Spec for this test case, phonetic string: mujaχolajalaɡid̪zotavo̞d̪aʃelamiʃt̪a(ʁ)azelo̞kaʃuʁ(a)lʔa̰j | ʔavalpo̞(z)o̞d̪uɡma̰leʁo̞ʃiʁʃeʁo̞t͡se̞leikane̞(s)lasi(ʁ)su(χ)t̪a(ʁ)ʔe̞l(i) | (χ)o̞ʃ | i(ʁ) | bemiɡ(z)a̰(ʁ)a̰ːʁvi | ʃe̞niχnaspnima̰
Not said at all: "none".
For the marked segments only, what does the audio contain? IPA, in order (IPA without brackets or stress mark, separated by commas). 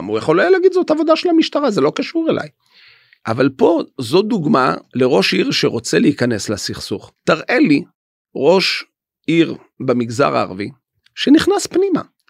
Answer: ʁ, e, z, s, χ, χ, ʁ, i, ʁ, ʁ, z, ʁ